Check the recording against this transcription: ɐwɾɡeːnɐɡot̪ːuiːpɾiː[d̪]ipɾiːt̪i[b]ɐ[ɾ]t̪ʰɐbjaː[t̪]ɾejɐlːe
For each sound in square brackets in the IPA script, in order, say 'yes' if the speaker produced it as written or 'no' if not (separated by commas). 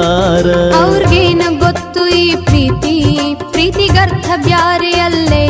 no, no, yes, no